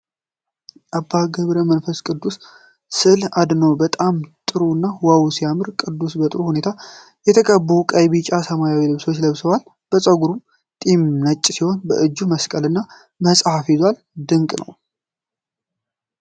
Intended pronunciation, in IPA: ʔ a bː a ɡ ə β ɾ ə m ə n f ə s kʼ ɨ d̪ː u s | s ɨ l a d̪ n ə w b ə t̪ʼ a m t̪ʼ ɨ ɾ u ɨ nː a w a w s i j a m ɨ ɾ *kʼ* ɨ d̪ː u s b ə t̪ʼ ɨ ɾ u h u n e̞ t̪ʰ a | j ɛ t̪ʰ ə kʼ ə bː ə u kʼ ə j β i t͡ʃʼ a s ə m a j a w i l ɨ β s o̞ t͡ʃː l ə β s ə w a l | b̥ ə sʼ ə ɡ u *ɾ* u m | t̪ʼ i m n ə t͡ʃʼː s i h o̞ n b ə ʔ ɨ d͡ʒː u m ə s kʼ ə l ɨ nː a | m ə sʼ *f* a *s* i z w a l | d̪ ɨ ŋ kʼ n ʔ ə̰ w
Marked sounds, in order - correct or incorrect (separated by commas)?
correct, correct, incorrect, incorrect